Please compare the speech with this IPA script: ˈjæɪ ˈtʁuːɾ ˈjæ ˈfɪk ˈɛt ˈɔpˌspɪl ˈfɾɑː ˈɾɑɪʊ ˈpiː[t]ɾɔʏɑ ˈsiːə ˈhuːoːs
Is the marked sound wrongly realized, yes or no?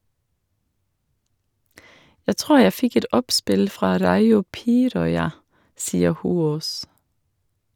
yes